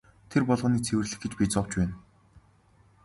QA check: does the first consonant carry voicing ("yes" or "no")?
no